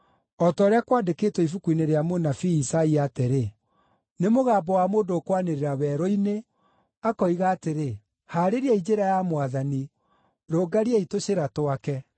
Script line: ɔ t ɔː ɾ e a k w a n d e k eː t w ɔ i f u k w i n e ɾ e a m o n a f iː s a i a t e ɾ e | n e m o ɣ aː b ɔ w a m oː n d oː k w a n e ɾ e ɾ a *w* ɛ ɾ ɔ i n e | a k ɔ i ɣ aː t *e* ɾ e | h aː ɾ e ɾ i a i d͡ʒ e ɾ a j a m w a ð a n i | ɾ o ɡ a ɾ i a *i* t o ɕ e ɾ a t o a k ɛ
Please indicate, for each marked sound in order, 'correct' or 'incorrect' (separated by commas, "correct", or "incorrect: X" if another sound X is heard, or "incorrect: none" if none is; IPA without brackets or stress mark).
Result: correct, correct, correct